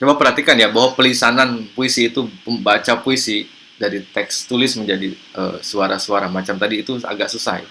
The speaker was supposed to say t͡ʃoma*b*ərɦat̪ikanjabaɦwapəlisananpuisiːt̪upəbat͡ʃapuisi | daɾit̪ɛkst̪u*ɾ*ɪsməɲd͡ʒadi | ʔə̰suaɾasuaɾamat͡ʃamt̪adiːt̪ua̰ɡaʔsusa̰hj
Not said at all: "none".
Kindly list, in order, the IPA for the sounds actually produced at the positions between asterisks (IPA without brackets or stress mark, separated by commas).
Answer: p, l